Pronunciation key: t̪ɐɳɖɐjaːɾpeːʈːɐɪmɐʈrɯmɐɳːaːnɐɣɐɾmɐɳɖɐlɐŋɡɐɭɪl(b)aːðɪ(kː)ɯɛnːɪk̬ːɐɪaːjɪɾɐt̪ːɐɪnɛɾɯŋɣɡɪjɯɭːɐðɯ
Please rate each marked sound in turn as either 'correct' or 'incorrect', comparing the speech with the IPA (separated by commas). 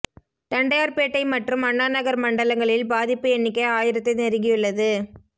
correct, incorrect